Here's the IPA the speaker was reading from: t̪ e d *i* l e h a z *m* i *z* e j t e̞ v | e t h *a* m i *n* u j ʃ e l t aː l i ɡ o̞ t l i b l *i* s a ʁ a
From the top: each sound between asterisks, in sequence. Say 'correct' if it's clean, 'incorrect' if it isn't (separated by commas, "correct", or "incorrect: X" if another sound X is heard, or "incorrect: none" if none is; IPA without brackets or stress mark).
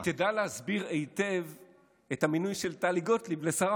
incorrect: a, incorrect: b, incorrect: ʁ, correct, correct, incorrect: e